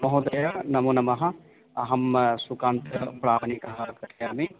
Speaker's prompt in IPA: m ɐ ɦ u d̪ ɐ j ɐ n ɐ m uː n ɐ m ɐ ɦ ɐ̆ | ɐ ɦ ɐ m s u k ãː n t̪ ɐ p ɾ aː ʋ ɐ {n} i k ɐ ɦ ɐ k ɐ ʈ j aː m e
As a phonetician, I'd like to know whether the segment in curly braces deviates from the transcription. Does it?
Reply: no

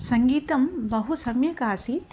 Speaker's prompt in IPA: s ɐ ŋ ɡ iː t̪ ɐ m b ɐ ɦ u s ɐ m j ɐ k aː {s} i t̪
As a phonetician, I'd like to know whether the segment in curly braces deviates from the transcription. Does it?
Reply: no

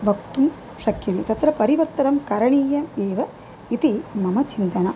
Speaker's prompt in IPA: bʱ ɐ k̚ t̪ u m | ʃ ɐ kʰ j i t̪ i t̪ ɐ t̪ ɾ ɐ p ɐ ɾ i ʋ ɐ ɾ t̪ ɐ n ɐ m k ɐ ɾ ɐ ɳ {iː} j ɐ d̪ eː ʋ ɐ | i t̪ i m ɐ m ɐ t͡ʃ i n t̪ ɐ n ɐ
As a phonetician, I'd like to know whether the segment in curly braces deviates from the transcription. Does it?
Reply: no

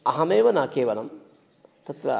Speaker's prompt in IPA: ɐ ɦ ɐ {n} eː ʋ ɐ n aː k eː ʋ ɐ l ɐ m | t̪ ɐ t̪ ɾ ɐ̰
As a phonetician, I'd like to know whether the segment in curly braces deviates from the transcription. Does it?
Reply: yes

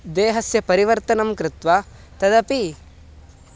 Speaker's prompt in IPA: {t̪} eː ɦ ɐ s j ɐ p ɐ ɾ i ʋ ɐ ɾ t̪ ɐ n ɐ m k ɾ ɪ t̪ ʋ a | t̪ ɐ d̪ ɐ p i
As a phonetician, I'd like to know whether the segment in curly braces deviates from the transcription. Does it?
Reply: yes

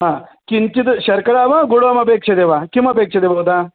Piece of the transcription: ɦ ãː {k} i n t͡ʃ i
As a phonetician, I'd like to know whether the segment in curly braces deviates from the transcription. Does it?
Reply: no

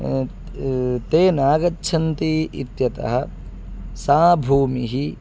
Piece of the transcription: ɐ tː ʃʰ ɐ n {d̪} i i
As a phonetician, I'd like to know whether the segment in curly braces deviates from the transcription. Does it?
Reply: yes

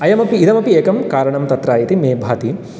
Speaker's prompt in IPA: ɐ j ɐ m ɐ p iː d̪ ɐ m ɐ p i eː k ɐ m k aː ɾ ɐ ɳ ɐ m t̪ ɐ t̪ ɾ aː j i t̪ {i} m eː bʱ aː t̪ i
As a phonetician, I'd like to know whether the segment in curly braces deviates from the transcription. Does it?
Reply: no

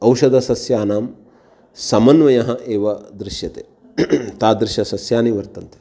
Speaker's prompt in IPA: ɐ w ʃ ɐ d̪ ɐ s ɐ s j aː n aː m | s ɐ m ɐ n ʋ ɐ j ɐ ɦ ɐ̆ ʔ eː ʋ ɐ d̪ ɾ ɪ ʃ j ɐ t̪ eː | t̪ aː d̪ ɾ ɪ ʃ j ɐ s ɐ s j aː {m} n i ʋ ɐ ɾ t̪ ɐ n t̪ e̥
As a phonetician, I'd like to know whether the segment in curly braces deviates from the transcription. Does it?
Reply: yes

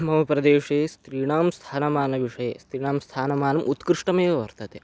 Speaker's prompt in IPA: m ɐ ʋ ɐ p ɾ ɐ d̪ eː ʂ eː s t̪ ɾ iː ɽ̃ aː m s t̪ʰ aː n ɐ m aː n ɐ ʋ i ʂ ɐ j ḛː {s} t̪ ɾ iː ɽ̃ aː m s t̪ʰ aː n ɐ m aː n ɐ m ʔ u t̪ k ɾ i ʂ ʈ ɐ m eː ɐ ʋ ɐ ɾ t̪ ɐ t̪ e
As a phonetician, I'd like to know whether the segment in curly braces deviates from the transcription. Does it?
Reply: no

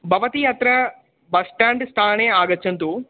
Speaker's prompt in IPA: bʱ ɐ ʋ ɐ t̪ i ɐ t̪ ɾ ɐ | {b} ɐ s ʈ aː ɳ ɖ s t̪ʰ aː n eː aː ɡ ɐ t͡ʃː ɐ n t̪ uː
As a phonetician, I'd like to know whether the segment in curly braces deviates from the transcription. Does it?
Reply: no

